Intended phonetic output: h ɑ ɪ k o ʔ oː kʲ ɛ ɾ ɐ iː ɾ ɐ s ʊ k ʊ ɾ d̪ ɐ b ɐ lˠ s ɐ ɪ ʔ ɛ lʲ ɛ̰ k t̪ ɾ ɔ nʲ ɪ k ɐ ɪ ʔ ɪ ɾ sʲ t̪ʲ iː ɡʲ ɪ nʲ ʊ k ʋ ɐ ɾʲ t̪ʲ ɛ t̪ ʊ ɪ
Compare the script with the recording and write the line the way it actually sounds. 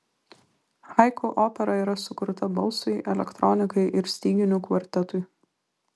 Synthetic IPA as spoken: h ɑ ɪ k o ʔ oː pʲ ɛ ɾ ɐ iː ɾ ɐ s ʊ k ʊ ɾ t̪ ɐ b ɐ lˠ s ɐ ɪ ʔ ɛ lʲ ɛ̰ k t̪ ɾ ɔ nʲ ɪ k ɐ ɪ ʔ ɪ ɾ sʲ t̪ʲ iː ɡʲ ɪ nʲ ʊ k ʋ ɐ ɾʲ t̪ʲ ɛ t̪ ʊ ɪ